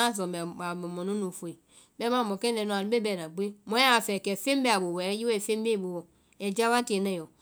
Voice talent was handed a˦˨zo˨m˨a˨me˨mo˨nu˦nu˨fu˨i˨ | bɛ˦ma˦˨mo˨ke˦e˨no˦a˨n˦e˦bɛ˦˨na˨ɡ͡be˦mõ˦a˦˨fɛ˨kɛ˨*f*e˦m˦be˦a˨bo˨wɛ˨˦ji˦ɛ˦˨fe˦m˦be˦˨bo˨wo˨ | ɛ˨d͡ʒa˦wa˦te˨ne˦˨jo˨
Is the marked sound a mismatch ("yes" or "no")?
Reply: no